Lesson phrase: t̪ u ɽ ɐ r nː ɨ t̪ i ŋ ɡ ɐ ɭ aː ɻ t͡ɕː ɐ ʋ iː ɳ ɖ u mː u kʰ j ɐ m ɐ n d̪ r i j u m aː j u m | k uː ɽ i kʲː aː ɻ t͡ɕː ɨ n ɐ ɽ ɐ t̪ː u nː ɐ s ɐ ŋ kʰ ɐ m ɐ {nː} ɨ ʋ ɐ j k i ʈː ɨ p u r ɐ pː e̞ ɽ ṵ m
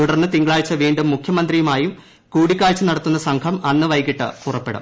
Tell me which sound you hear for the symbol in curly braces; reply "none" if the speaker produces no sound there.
nː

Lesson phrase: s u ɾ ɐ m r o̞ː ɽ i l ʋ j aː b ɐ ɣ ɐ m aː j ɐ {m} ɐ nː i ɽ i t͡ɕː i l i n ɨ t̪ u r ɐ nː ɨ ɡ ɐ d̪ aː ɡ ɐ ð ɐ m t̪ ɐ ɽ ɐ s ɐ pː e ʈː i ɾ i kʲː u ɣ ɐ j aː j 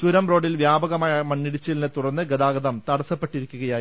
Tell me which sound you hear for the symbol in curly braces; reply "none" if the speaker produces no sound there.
m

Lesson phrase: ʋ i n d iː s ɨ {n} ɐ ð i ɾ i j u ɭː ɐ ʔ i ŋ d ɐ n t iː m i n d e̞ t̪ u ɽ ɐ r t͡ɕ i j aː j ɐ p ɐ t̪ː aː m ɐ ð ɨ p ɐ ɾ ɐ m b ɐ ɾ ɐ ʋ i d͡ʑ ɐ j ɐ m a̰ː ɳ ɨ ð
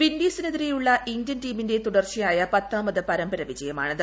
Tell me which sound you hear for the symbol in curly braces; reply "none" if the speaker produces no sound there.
n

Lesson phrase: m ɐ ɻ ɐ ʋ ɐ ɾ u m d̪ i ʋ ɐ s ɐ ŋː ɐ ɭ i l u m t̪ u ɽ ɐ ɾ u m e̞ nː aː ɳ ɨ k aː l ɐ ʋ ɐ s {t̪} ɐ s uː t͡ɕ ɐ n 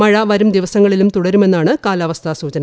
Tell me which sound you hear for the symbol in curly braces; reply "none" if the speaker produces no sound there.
t̪ʰ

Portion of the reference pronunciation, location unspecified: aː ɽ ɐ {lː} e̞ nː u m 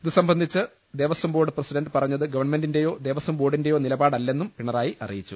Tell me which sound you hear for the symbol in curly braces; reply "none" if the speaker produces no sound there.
lː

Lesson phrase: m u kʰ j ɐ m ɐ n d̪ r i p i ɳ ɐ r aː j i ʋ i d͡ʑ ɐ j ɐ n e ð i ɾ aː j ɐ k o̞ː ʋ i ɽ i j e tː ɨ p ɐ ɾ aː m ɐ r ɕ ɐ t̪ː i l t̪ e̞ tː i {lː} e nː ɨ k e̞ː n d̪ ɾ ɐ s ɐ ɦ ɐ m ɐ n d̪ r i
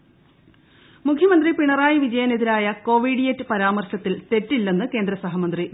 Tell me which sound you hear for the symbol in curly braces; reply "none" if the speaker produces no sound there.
lː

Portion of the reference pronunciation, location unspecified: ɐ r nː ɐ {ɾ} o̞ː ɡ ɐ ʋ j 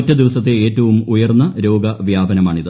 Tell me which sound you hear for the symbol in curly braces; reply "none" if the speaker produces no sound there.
ɾ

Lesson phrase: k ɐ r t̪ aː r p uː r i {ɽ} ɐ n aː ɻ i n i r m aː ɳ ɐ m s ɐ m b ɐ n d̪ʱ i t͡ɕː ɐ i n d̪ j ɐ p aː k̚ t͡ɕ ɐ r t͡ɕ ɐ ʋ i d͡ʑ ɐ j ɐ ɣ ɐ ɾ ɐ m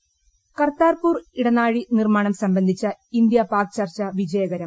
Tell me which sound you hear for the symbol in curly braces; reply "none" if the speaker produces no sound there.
ɽ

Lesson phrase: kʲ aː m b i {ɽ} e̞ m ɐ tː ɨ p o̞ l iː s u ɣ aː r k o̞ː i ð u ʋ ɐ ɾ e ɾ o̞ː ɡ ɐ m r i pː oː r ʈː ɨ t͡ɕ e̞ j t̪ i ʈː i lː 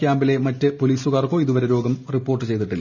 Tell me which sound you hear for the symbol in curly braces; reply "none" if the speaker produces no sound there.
l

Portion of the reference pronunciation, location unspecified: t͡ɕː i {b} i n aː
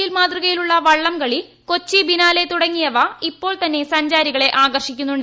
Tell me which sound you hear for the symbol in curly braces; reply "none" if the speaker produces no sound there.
b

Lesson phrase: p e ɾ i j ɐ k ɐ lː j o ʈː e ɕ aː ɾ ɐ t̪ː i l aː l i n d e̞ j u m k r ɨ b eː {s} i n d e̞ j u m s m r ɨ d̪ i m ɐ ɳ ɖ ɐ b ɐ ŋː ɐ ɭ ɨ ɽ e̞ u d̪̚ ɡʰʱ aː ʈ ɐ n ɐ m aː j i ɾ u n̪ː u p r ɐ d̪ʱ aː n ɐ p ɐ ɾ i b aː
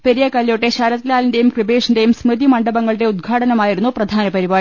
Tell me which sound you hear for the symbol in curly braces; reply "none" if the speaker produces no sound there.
ʂ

